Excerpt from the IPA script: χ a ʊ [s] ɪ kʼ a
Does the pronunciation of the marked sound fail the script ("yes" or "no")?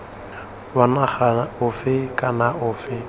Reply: yes